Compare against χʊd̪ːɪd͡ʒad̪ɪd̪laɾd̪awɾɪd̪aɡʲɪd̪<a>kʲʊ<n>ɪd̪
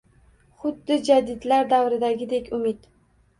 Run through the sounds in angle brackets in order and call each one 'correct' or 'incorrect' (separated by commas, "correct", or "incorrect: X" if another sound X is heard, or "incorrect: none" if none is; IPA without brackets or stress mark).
incorrect: e, incorrect: m